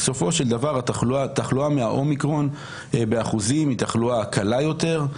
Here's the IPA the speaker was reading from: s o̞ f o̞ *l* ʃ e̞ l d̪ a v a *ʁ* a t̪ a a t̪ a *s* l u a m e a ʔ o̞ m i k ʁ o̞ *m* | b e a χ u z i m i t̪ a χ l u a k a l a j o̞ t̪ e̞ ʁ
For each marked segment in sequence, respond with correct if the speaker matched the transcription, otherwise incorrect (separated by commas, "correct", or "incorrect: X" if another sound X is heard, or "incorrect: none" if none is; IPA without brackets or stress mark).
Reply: incorrect: none, correct, incorrect: χ, incorrect: n